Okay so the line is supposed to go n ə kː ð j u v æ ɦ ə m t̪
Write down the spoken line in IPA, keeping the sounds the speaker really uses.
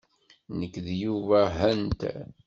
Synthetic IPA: n ə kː ð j u v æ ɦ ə n t̪